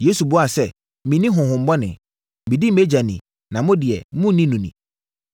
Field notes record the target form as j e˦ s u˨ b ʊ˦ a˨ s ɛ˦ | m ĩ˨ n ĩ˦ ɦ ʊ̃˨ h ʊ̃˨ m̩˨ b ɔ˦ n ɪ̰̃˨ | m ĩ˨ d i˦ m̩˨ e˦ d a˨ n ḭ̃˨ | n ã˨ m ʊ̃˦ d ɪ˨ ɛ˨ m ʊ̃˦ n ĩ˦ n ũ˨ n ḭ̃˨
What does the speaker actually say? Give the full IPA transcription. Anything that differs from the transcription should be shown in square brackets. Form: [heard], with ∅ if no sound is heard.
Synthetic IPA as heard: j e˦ s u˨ b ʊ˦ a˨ s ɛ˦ | m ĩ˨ n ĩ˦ ɦ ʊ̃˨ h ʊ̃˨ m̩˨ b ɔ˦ n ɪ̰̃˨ | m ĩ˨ d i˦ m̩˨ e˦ [d͡ʑ] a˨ n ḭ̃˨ | n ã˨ m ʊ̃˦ d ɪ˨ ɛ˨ m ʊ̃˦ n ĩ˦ n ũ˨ n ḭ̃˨